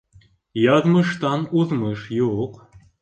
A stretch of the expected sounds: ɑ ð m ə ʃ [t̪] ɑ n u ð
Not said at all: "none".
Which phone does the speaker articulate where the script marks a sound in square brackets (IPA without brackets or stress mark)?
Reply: t̪